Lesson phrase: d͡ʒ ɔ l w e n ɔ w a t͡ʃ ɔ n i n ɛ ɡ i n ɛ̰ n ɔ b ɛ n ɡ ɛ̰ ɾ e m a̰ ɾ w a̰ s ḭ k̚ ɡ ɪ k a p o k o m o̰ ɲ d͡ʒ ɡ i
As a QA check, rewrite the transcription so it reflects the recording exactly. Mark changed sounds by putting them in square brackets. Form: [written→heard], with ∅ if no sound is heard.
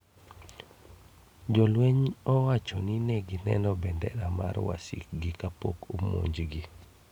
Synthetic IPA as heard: d͡ʒ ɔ l w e [n→ɲ] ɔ w a t͡ʃ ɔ n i n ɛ ɡ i n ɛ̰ n ɔ b ɛ n [ɡ→d] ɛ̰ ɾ [e→a] m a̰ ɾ w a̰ s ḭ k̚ ɡ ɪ k a p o k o m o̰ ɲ d͡ʒ ɡ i